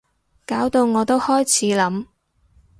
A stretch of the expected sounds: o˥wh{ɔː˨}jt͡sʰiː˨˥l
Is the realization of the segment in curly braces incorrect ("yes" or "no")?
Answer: yes